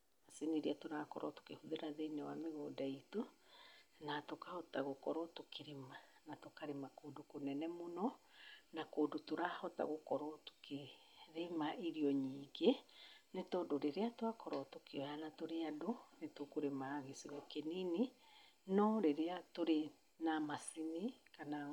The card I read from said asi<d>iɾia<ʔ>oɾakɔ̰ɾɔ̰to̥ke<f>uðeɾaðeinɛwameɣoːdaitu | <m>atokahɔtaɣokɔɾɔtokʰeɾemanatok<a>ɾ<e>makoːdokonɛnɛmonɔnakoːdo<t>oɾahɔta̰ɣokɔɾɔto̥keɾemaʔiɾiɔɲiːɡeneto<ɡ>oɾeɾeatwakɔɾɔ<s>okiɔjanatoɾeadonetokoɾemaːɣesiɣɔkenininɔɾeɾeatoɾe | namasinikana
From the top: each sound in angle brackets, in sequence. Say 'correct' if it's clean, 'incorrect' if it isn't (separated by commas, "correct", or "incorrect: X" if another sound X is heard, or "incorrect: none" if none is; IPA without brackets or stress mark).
incorrect: n, incorrect: t, incorrect: h, incorrect: n, correct, correct, correct, incorrect: d, incorrect: t